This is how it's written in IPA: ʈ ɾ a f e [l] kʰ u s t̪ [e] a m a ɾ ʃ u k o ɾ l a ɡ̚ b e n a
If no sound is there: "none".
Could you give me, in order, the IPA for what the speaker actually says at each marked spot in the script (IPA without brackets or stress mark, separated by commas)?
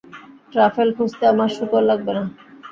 l, e